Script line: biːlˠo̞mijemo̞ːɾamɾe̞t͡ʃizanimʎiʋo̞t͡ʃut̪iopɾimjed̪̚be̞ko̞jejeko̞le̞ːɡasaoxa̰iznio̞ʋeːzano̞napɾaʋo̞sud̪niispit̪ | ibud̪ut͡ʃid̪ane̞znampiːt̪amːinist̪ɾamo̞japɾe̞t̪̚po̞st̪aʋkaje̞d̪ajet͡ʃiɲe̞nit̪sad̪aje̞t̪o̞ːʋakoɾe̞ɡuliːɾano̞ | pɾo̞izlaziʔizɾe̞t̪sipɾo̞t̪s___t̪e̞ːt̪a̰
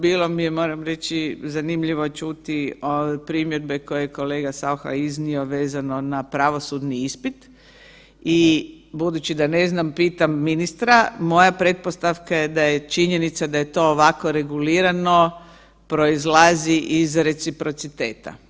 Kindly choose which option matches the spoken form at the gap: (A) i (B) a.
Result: A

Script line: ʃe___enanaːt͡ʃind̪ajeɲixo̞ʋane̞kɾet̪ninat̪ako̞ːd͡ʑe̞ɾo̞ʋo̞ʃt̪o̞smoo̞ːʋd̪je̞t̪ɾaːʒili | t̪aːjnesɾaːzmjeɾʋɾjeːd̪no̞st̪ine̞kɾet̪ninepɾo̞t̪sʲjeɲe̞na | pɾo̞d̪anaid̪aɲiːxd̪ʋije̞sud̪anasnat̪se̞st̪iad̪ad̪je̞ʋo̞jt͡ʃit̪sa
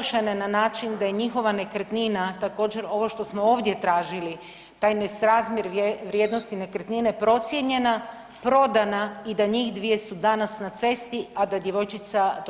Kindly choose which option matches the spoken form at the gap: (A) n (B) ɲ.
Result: A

